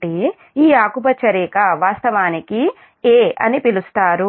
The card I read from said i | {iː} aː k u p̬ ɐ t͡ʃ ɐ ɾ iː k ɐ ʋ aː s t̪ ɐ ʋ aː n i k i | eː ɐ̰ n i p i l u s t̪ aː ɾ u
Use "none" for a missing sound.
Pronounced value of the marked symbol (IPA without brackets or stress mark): iː